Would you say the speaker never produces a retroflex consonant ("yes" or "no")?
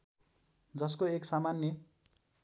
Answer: yes